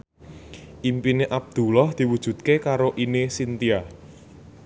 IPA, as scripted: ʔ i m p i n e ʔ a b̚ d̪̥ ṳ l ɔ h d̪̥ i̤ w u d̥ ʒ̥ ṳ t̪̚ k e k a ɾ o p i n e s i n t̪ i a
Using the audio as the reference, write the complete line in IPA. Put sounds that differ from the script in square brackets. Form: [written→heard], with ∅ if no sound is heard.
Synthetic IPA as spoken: ʔ i m p i n e ʔ a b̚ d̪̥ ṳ l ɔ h d̪̥ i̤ w u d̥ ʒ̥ ṳ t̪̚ k e k a ɾ o [p→ʔ] i n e s i n t̪ i a

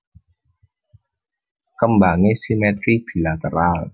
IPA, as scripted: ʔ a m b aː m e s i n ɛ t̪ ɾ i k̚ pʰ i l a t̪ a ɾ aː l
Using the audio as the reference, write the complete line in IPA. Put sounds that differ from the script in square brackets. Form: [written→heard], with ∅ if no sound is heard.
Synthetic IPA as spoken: [ʔ→k] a m b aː [m→ŋ] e s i [n→m] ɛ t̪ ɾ i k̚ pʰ i l a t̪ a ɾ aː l

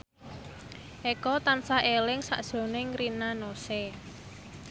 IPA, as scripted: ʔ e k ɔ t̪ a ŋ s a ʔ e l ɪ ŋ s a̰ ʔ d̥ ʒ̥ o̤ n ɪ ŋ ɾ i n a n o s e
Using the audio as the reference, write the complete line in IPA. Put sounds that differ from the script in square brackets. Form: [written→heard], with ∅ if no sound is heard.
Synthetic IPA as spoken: ʔ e k ɔ t̪ a [ŋ→n] s a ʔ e l ɪ ŋ s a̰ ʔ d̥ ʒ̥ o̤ n ɪ ŋ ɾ i n a n o s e

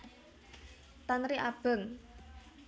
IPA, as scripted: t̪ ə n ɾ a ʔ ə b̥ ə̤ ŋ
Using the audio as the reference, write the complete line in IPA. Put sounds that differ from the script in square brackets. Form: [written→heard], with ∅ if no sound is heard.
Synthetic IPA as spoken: t̪ [ə→a] n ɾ [a→i] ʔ [ə→a] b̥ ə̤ ŋ

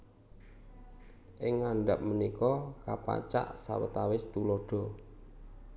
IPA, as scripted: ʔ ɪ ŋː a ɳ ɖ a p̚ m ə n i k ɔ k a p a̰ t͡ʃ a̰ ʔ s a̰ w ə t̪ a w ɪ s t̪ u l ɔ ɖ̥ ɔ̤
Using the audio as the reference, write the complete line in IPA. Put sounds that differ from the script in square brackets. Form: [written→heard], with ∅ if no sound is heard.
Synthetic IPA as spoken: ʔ ɪ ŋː a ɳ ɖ a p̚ m ə n i k ɔ k a p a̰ t͡ʃ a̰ ʔ s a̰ w ə t̪ a w ɪ s t̪ u l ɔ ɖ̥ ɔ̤

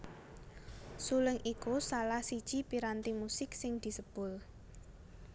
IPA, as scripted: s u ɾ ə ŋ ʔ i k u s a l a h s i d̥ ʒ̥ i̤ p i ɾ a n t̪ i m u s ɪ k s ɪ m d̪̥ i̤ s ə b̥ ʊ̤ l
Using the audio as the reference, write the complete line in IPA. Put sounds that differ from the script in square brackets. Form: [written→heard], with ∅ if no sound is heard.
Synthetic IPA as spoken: s u [ɾ→l] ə ŋ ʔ i k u s a l a h s i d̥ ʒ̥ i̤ p i ɾ a n t̪ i m u s ɪ k s ɪ [m→ŋ] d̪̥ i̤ s ə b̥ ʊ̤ l

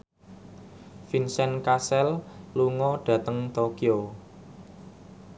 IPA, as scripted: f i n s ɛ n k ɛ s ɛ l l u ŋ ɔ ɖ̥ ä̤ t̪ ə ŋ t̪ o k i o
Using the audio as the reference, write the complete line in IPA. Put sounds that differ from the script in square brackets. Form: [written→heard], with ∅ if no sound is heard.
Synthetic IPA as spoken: f i n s ɛ n k [ɛ→a] s ɛ l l u ŋ ɔ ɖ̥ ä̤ t̪ ə ŋ t̪ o k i o

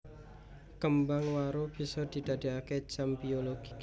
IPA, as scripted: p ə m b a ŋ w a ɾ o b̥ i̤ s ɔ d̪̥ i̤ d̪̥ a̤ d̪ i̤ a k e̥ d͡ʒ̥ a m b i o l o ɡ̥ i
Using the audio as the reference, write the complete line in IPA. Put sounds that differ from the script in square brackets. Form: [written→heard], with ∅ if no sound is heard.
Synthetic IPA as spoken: [p→k] ə m b a ŋ w a ɾ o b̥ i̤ s ɔ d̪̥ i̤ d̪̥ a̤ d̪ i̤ a k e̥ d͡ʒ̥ a m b i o l o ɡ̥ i

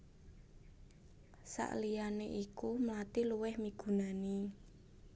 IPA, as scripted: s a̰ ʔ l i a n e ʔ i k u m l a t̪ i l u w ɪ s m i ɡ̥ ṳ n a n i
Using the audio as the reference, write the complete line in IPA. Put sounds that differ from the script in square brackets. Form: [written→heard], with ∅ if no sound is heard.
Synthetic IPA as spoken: s a̰ ʔ l i a n e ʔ i k u m l a t̪ i l u w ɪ [s→h] m i ɡ̥ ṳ n a n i

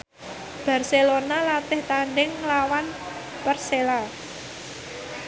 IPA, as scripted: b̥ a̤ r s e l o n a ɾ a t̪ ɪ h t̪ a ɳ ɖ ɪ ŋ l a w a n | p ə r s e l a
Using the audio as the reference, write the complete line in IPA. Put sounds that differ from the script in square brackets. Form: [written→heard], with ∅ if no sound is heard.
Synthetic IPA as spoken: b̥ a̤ r s e l o n a [ɾ→l] a t̪ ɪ h t̪ a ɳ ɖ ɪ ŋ l a w a n | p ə r s e l a

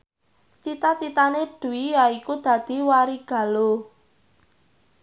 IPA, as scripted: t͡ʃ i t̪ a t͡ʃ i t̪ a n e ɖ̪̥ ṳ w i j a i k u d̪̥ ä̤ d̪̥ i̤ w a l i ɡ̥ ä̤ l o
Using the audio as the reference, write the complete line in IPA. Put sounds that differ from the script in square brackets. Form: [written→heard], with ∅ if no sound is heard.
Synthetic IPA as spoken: t͡ʃ i t̪ a t͡ʃ i t̪ a n e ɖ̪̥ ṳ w i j a i k u d̪̥ ä̤ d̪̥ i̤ w a [l→ɾ] i ɡ̥ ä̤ l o

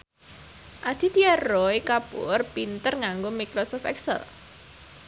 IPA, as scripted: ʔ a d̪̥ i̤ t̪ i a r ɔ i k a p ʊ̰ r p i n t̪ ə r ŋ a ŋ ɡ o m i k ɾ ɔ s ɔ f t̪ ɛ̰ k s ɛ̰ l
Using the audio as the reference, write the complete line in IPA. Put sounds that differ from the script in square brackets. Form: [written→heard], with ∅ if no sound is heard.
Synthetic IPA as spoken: ʔ a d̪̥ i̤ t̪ i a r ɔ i k a p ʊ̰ r p i n t̪ ə r ŋ a ŋ ɡ o m i k ɾ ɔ s ɔ f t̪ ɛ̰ k s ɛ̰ l

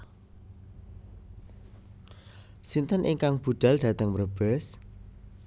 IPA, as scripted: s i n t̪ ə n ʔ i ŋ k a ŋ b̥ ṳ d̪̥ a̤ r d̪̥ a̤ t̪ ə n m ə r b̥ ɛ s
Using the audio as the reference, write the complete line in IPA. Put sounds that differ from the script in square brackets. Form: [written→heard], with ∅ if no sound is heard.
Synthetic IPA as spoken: s i n t̪ ə n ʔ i ŋ k a ŋ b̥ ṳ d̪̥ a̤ [r→l] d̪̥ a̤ t̪ ə [n→ŋ] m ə r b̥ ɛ s

